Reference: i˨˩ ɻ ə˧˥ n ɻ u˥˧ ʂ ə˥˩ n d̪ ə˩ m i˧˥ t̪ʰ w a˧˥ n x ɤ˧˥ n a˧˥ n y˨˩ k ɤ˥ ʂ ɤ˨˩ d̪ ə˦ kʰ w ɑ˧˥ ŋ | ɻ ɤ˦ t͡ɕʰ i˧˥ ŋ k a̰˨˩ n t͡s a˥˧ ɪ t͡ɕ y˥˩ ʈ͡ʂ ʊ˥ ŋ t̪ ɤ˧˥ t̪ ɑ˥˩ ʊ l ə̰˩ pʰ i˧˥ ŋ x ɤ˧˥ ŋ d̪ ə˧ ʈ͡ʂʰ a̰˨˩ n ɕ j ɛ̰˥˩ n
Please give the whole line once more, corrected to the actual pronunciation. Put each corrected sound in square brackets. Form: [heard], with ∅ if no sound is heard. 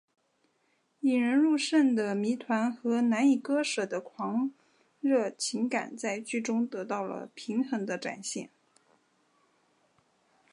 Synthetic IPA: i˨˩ ɻ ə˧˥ n ɻ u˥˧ ʂ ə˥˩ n d̪ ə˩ m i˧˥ t̪ʰ w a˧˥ n x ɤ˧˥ n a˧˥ n [i˨˩] k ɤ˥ ʂ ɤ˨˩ d̪ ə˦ kʰ w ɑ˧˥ ŋ | ɻ [ɤ˥˩] t͡ɕʰ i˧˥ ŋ k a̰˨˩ n t͡s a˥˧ ɪ t͡ɕ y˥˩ ʈ͡ʂ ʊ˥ ŋ t̪ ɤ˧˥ t̪ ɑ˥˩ ʊ l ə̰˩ pʰ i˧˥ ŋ x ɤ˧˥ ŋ d̪ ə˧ [ʈ͡ʂ] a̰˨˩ n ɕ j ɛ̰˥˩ n